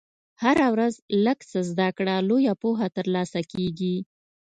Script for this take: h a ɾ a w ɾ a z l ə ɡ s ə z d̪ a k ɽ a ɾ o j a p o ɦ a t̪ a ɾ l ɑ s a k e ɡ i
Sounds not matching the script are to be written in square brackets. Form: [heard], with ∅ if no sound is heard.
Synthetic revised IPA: h a ɾ a w ɾ a z l ə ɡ s ə z d̪ a k ɽ a [l] o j a p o ɦ a t̪ [ə] ɾ l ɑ s a k e ɡ i